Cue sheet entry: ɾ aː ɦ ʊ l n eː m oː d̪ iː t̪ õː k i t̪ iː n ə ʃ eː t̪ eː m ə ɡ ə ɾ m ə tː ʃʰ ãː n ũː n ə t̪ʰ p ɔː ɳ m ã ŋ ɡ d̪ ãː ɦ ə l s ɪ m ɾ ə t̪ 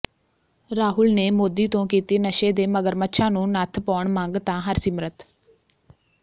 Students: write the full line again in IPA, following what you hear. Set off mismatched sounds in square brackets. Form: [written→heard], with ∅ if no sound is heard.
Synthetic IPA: ɾ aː ɦ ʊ l n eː m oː d̪ iː t̪ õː k [i→iː] t̪ iː n ə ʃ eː [t̪→d̪] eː m ə ɡ ə ɾ m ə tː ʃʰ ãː n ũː n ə t̪ʰ p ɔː ɳ m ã ŋ ɡ [d̪→t̪] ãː ɦ ə [l→ɾ] s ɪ m ɾ ə t̪